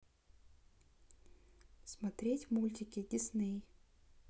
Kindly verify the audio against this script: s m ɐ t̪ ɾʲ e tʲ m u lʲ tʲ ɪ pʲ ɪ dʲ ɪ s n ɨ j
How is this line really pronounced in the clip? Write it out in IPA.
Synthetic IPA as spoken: s m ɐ t̪ ɾʲ e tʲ m u lʲ tʲ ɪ kʲ ɪ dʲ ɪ s n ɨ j